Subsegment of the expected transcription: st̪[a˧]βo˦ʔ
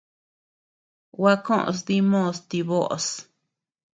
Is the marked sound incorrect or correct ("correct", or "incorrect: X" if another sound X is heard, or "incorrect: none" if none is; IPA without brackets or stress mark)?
incorrect: i˧